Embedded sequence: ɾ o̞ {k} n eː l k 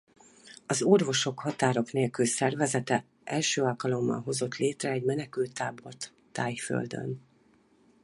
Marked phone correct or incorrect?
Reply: correct